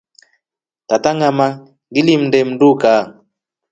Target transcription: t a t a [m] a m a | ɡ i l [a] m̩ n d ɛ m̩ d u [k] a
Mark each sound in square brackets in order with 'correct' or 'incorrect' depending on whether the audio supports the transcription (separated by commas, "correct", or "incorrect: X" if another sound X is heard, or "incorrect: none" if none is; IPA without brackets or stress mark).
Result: incorrect: ŋ, incorrect: i, correct